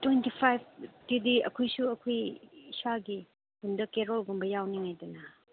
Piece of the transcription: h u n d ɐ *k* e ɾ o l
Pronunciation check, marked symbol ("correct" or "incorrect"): correct